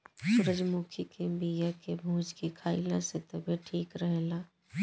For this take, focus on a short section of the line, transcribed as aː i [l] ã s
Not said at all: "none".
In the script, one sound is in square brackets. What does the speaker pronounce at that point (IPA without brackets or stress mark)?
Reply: l